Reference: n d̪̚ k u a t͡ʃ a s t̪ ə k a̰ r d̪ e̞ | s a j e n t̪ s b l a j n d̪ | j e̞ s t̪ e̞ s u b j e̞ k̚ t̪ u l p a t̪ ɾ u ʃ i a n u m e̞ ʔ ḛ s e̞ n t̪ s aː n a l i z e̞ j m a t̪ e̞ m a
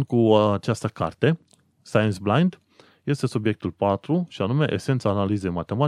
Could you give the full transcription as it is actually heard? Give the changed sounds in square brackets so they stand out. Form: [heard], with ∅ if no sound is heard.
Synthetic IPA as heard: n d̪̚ k u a t͡ʃ a s t̪ ə k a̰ r [t̪] e̞ | s a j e n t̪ s b l a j n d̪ | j e̞ s t̪ e̞ s u b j e̞ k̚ t̪ u l p a t̪ ɾ u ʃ i a n u m e̞ ʔ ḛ s e̞ n t̪ s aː n a l i z e̞ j m a t̪ e̞ m a